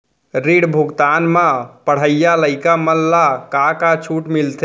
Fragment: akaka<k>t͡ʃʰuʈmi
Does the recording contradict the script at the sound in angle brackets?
yes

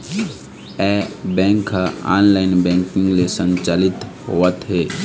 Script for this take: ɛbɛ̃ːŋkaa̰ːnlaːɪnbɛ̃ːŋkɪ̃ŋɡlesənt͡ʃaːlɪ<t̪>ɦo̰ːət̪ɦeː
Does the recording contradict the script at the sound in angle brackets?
no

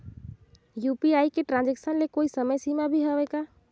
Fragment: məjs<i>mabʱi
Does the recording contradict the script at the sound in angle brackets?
no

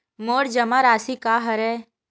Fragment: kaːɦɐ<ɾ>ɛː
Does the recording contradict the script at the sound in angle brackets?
no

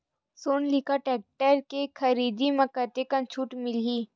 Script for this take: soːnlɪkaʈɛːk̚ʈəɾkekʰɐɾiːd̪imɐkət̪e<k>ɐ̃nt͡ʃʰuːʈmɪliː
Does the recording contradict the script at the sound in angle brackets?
no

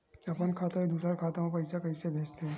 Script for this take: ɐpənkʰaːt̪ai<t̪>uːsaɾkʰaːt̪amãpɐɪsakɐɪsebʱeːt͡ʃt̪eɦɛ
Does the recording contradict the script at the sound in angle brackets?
yes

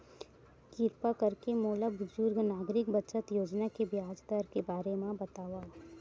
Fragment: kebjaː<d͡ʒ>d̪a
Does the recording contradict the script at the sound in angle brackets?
no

